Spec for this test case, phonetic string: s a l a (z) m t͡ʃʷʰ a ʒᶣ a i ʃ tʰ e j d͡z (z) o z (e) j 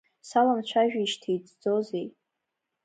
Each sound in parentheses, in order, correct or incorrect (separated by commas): incorrect, incorrect, correct